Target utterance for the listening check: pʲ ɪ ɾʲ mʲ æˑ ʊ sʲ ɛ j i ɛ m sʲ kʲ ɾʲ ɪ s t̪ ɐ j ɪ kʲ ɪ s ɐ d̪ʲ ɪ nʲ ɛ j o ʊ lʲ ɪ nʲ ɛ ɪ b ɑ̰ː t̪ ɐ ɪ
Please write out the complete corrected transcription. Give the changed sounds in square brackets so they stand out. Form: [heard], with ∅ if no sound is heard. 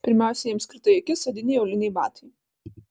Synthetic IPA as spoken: pʲ ɪ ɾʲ mʲ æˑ ʊ sʲ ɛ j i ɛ m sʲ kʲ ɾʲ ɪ [∅] t̪ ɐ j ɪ kʲ ɪ s ɐ d̪ʲ ɪ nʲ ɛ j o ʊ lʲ ɪ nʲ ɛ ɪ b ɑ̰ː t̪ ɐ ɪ